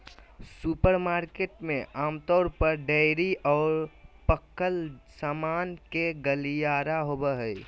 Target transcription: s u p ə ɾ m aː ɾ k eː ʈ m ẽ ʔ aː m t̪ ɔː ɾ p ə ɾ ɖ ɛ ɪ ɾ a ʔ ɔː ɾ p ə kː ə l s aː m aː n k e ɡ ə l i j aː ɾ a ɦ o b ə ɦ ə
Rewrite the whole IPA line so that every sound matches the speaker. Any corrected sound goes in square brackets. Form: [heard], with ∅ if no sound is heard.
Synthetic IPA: s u p ə ɾ m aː ɾ k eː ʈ m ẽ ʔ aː m t̪ ɔː ɾ p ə ɾ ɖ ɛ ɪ ɾ [i] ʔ ɔː ɾ p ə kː ə l s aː m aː n k e ɡ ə l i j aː ɾ a ɦ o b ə ɦ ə